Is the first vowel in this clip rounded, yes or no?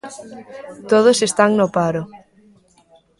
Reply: yes